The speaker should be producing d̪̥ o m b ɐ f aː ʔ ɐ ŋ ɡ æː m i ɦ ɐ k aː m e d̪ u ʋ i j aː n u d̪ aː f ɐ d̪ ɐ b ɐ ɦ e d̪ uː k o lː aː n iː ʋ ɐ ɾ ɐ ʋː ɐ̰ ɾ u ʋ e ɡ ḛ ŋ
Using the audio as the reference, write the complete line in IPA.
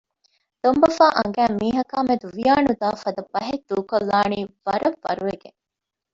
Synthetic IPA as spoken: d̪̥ o m b ɐ f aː ʔ ɐ ŋ ɡ æː m iː ɦ ɐ k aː m e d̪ u ʋ i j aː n u d̪ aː f ɐ d̪ ɐ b ɐ ɦ e d̪ uː k o lː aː n iː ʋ ɐ ɾ ɐ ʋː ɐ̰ ɾ u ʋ e ɡ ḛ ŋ